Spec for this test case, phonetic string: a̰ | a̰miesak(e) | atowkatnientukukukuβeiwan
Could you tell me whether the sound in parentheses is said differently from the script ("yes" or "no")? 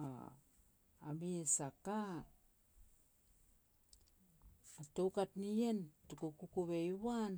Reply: yes